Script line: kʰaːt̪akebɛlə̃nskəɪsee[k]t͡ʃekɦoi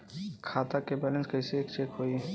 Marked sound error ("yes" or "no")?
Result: no